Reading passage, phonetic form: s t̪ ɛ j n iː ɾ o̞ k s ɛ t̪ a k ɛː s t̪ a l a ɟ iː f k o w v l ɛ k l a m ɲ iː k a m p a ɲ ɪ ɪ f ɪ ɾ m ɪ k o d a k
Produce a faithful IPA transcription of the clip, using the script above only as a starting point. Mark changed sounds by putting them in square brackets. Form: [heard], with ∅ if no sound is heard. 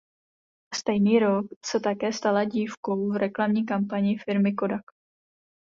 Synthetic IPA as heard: s t̪ ɛ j n iː ɾ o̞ k s ɛ t̪ a k ɛː s t̪ a l a ɟ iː f k o w v [ɾ] ɛ k l a m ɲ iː k a m p a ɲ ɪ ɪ f ɪ ɾ m ɪ k o d a k